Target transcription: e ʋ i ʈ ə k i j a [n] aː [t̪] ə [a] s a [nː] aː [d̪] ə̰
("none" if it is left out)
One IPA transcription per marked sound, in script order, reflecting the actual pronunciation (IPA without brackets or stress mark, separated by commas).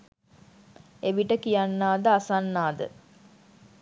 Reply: nː, d̪, a, nː, d̪